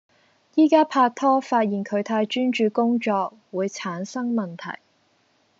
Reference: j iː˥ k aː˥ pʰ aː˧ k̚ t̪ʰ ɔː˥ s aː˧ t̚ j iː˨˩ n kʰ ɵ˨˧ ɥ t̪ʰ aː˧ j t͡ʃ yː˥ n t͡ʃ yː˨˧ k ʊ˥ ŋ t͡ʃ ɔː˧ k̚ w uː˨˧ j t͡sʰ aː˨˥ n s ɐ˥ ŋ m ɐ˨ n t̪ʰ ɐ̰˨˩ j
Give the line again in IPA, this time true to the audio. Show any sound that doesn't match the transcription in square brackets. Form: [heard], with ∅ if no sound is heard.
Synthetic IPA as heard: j iː˥ k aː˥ pʰ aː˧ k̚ t̪ʰ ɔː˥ [f] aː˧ t̚ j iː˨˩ n kʰ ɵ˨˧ ɥ t̪ʰ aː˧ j t͡ʃ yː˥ n t͡ʃ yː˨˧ k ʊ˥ ŋ t͡ʃ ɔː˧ k̚ w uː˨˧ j t͡sʰ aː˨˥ n s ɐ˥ ŋ m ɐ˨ n t̪ʰ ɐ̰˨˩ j